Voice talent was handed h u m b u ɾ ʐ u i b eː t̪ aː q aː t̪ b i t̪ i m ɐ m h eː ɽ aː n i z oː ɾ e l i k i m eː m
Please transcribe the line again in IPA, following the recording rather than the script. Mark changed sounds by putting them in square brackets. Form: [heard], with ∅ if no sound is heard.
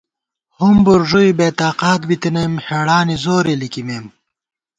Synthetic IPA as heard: h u m b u ɾ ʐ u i b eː t̪ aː q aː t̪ b i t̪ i [n] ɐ m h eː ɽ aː n i z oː ɾ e l i k i m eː m